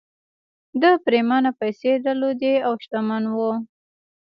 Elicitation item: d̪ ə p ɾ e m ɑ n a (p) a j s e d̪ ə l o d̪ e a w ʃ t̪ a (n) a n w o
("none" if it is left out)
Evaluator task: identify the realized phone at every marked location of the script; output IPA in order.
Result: p, m

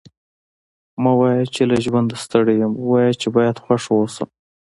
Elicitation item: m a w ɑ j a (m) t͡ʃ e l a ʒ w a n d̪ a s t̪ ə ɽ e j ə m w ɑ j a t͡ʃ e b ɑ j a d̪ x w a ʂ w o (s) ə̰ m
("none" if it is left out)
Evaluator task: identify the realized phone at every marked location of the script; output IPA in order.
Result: none, s

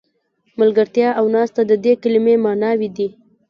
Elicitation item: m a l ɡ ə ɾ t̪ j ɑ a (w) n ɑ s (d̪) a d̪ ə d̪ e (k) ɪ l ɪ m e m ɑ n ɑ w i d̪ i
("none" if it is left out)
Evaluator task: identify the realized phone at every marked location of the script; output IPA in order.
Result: w, t̪, k

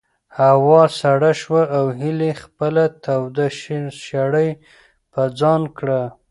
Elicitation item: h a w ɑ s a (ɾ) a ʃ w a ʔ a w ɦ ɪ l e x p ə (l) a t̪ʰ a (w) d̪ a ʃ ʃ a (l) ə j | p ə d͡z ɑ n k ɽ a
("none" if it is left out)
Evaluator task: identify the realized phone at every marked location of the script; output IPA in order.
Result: ɽ, l, w, ɽ

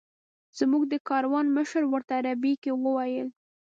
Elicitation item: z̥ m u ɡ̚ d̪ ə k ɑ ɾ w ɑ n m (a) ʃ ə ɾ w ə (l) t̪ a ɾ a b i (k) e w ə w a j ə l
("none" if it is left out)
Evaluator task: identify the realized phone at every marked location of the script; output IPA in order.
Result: ə, ɾ, k

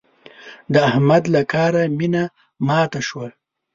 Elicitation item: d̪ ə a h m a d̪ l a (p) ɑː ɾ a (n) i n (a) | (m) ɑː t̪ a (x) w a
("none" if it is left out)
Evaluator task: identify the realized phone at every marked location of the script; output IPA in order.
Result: k, m, a, m, ʃ

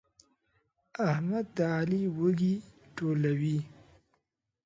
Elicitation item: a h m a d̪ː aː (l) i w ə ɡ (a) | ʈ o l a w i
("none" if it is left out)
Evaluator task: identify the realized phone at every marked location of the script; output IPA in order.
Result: l, i

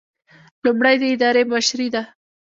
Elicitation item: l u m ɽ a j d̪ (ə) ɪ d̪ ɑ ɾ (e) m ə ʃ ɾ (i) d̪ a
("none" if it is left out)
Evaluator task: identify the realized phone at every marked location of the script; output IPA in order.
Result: ə, e, i

